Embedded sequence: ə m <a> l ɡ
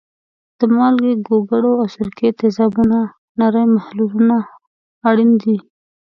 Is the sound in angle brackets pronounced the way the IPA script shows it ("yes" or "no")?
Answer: no